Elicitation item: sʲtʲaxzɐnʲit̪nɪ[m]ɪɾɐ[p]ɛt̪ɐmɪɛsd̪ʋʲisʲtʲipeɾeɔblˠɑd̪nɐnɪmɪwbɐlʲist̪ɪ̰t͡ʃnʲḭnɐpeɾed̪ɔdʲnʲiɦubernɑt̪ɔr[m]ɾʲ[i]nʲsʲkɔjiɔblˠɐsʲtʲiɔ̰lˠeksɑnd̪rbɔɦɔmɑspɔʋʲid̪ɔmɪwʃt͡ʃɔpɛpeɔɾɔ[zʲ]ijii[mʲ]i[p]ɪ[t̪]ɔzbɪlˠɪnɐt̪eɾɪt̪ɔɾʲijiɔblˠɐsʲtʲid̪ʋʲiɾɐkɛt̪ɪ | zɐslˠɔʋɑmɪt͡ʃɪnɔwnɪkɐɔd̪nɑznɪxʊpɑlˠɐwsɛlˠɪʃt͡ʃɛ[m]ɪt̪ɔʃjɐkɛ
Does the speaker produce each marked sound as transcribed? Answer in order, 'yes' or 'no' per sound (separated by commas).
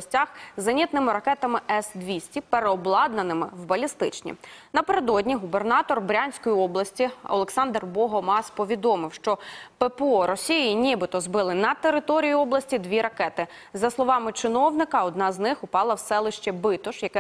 yes, no, no, no, no, no, no, yes, no